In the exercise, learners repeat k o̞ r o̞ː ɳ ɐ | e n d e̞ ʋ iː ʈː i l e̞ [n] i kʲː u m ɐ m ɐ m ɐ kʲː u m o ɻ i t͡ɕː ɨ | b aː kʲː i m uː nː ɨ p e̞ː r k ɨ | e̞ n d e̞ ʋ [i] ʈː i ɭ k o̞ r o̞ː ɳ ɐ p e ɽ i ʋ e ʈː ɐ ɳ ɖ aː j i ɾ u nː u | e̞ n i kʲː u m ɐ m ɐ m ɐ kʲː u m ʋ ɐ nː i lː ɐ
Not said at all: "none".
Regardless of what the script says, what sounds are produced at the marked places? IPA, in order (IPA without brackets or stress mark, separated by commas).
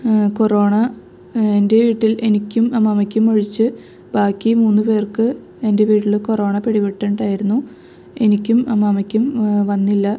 n, iː